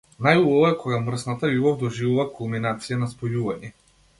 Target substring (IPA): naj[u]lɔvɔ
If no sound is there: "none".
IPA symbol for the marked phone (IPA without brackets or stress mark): u